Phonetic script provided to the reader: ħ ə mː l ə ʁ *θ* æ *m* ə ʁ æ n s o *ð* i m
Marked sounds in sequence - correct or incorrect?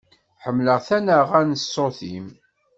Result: correct, incorrect: n, incorrect: θ

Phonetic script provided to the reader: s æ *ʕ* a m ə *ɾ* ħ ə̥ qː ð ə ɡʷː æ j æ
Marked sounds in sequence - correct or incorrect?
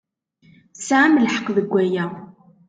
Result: correct, incorrect: l

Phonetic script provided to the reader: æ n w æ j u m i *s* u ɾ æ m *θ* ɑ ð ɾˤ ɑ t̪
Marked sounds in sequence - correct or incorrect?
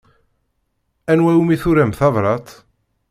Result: incorrect: θ, correct

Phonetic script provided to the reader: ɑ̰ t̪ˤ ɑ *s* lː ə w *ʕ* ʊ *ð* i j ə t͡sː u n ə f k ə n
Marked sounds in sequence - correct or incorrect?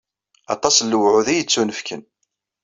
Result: correct, correct, correct

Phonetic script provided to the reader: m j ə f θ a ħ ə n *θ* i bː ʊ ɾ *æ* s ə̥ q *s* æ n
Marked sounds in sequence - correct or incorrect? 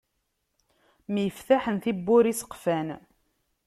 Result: correct, incorrect: i, incorrect: f

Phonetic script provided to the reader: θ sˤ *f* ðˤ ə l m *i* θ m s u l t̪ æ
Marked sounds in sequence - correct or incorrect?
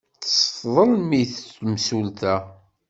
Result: correct, correct

